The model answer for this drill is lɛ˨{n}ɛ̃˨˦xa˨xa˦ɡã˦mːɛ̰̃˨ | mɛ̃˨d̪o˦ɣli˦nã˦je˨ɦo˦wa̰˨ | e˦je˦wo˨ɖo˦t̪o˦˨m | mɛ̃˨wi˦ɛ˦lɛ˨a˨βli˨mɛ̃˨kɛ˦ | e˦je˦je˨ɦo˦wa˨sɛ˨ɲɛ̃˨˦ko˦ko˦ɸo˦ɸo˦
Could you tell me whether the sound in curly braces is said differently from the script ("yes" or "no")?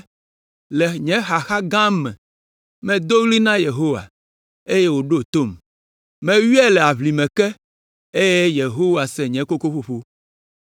yes